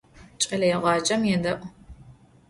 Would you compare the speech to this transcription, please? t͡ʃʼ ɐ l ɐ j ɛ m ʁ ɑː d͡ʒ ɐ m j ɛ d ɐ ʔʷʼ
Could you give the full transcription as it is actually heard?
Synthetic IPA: t͡ʃʼ ɐ l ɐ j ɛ ʁ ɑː d͡ʒ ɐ m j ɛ d ɐ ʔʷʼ

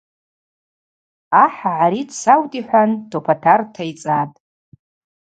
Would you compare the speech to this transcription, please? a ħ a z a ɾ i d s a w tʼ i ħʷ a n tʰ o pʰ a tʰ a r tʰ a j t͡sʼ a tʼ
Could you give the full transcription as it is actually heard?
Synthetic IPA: a ħ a ʕ a ɾ i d s a w tʼ i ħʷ a n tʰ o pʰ a tʰ a r tʰ a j t͡sʼ a tʼ

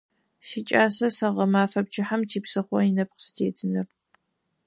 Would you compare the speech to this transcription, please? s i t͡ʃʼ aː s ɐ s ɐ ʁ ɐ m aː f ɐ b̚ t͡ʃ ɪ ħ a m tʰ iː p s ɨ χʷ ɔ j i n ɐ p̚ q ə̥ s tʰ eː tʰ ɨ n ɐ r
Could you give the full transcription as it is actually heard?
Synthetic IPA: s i t͡ʃʼ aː s ɐ s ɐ ʁ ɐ m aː f ɐ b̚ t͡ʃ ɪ ħ a m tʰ iː p s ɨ χʷ ɔ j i n ɐ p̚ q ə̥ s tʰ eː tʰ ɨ n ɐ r

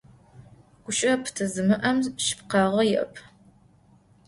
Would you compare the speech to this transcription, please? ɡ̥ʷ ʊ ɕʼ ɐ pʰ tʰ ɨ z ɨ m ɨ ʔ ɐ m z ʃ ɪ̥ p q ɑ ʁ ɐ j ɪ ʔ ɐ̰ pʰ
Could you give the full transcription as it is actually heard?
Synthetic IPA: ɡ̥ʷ ʊ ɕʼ ɐ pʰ tʰ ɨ z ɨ m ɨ ʔ ɐ m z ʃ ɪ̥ p q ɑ ʁ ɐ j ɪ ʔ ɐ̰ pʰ

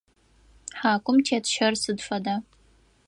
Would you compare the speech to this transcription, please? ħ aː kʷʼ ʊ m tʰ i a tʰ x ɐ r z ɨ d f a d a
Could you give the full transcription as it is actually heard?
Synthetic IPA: ħ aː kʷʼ ʊ m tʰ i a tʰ ʃ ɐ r s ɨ d f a d a

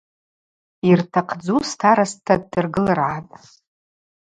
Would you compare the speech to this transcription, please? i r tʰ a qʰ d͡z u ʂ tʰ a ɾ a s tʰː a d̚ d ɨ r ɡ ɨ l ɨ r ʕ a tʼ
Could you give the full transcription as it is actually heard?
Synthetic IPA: i r tʰ a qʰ d͡z u s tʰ a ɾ a s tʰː a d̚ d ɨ r ɡ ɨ l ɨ r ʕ a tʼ

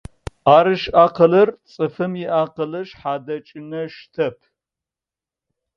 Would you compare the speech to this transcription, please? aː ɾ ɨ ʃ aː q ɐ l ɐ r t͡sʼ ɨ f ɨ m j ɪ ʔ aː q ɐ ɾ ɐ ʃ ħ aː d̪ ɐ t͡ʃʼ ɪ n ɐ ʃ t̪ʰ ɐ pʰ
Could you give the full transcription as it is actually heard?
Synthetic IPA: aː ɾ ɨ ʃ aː q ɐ l ɐ r t͡sʼ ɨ f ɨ m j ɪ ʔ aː q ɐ l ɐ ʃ ħ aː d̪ ɐ t͡ʃʼ ɪ n ɐ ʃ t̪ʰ ɐ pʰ

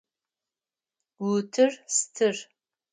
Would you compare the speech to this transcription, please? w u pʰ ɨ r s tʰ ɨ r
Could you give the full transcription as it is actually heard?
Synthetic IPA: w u tʰ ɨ r s tʰ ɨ r

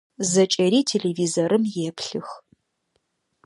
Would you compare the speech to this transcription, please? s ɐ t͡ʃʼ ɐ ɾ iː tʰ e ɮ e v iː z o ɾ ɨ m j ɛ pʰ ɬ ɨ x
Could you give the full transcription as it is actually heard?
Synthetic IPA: z ɐ t͡ʃʼ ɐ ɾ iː tʰ e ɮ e v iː z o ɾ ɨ m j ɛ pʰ ɬ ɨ x

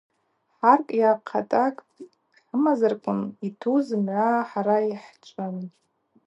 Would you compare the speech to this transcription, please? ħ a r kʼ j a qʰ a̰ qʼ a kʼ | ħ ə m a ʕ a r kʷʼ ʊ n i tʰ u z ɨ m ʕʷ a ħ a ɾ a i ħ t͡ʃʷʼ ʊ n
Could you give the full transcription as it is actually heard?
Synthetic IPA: ħ a r kʼ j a qʰ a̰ tʼ a kʼ | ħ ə m a z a r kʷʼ ʊ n i tʰ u z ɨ m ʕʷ a ħ a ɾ a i ħ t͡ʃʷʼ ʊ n

